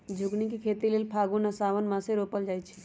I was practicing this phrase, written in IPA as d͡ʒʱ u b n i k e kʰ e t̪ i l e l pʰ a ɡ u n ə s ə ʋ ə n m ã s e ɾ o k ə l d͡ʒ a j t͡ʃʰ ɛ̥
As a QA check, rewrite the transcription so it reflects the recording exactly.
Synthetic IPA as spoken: d͡ʒʱ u ɡ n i k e kʰ e t̪ i l e l pʰ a ɡ u n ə s a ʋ ə n m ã s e ɾ o p ə l d͡ʒ a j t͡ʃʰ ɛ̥